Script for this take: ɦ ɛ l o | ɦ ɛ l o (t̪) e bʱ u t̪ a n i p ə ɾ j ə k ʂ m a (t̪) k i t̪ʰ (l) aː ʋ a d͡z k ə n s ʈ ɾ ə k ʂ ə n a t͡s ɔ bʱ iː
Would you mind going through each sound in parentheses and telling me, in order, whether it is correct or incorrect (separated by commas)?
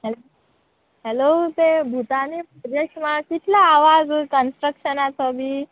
correct, incorrect, correct